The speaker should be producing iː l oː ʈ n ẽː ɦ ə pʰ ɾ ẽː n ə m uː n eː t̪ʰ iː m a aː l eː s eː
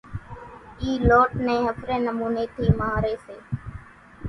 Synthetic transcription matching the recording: iː l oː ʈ n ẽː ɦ ə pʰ ɾ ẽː n ə m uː n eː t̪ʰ iː m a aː ɾ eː s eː